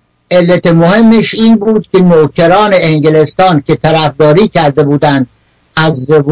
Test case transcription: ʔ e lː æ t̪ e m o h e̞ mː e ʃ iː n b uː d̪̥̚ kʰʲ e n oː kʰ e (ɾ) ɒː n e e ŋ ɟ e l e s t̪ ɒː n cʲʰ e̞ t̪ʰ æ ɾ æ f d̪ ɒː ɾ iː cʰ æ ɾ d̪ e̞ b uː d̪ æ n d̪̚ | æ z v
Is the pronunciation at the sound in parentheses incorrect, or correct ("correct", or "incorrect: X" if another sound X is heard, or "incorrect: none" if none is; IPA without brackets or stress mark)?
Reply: correct